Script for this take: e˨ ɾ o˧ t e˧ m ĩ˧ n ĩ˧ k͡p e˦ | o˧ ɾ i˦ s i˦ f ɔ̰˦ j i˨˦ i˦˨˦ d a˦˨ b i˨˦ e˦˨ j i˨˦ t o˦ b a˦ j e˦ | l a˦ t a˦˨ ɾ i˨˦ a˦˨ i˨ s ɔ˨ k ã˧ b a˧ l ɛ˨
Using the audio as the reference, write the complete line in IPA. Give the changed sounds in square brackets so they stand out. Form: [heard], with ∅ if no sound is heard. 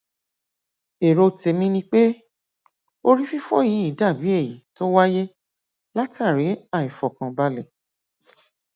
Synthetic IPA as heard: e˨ ɾ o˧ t e˧ m ĩ˧ n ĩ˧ k͡p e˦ | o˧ ɾ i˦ [f] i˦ f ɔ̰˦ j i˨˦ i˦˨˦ d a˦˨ b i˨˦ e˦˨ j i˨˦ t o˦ [w] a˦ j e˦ | l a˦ t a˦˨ ɾ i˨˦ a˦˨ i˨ [f] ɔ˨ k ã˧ b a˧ l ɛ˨